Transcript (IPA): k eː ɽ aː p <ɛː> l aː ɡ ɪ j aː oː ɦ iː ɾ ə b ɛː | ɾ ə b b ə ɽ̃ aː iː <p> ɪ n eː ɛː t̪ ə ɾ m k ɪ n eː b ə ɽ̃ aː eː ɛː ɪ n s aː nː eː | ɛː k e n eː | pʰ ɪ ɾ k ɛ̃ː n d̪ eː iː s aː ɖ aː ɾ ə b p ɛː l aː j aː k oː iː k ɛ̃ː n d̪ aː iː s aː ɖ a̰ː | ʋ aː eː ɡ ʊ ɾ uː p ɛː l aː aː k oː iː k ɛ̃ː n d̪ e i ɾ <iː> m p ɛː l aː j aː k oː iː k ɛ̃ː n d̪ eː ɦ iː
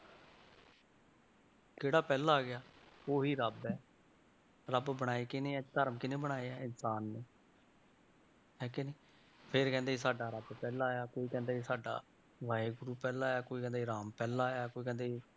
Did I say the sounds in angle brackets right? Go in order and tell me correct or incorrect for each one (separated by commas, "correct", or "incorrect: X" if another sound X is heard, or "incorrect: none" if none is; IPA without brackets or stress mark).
correct, incorrect: k, incorrect: aː